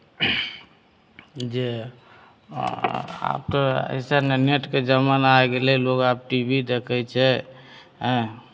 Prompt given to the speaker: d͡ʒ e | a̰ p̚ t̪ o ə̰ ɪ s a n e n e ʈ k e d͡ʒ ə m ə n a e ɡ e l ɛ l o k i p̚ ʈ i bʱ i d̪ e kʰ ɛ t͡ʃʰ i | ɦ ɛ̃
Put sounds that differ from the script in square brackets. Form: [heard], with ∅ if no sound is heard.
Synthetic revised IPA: d͡ʒ e | a̰ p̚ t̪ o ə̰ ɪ s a n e n e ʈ k e d͡ʒ ə m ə n a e ɡ e l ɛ l o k [a] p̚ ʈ i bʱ i d̪ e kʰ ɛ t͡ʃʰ [ɛ] | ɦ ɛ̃